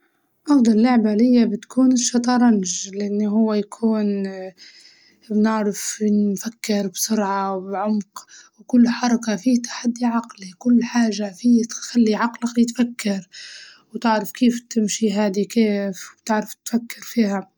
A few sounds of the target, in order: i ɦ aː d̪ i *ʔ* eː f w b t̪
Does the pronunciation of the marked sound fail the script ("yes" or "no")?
yes